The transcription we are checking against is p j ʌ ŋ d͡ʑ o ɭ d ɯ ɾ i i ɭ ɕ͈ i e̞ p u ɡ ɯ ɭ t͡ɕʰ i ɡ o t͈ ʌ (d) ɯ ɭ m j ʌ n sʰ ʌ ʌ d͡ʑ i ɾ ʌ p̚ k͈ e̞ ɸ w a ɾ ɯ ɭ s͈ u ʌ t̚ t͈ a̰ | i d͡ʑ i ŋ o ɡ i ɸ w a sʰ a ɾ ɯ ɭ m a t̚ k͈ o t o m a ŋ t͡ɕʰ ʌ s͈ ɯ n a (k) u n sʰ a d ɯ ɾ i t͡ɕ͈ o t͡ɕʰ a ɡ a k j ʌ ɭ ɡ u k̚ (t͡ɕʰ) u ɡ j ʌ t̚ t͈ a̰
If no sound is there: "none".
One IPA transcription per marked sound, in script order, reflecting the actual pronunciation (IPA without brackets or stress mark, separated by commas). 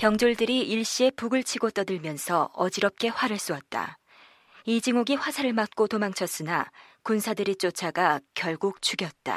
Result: d, k, t͡ɕʰ